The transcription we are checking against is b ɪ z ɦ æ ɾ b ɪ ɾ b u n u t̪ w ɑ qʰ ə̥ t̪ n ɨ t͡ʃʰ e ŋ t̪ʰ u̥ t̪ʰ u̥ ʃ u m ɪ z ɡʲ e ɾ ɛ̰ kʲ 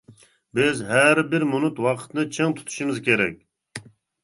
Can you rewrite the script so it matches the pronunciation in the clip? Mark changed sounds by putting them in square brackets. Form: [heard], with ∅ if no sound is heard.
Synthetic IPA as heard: b ɪ z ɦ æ ɾ b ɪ ɾ [m] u n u t̪ w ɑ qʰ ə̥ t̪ n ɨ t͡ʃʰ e ŋ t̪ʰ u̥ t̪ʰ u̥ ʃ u m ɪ z [kʲ] e ɾ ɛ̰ kʲ